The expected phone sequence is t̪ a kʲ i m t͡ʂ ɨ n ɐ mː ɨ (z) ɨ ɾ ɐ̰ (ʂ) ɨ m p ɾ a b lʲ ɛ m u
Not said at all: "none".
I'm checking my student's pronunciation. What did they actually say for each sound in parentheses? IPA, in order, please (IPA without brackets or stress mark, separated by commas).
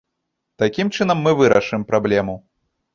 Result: v, ʂ